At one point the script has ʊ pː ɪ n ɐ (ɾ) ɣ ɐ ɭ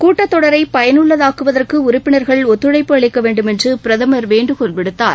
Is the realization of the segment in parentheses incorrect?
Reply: no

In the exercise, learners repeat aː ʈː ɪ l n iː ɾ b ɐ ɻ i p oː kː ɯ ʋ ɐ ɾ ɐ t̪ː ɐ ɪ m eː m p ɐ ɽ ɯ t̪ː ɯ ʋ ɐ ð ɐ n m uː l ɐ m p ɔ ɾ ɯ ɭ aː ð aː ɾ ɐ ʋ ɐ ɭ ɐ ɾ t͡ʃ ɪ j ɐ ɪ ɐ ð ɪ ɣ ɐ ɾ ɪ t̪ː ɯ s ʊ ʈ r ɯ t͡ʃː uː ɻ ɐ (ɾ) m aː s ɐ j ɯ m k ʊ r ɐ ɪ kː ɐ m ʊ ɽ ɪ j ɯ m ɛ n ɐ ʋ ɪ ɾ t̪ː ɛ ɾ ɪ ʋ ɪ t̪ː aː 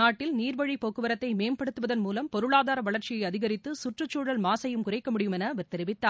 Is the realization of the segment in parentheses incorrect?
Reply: yes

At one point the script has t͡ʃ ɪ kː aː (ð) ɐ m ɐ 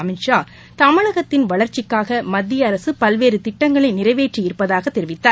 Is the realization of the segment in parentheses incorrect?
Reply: yes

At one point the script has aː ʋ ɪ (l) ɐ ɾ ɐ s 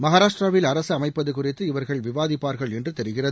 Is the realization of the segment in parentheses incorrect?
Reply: no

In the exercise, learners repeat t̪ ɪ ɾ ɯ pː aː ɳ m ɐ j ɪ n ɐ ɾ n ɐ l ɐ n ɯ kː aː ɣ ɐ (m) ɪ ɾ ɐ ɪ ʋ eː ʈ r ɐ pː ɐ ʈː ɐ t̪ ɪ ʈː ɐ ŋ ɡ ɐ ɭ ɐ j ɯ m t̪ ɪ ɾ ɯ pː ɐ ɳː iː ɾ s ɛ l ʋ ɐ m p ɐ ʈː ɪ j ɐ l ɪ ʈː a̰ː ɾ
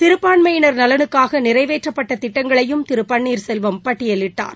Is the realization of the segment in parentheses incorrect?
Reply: yes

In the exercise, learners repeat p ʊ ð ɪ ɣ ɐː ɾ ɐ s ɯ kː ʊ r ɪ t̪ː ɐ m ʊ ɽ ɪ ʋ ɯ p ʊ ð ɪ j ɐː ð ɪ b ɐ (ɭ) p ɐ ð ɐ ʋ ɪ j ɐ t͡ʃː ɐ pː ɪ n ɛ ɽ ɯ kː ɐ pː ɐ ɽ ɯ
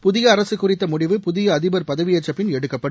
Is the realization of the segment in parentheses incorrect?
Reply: yes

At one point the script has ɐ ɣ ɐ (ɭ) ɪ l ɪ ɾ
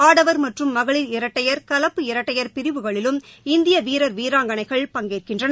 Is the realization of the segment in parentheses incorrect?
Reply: no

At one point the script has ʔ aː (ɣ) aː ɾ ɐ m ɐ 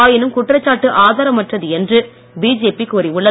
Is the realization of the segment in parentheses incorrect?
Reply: yes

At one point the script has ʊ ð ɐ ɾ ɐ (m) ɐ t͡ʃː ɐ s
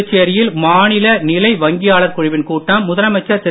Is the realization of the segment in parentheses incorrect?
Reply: no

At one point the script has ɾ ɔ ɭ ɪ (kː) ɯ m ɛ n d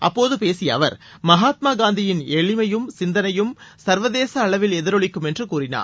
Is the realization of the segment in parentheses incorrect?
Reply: no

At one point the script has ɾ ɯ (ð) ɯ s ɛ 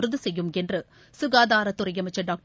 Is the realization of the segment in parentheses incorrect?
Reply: no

